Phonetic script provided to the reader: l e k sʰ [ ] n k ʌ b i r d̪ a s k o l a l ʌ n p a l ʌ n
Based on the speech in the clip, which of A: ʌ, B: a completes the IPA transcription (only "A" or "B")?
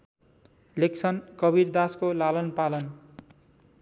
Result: A